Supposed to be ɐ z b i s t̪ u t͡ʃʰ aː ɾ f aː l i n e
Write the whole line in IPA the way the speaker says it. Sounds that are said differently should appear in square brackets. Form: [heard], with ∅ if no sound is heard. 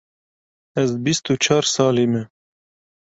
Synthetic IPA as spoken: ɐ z b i s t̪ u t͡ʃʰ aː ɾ [s] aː l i [m] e